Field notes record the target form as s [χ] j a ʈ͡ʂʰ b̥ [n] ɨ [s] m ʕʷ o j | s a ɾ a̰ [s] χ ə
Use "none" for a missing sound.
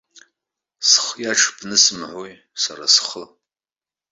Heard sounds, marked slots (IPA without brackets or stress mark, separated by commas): χ, n, s, s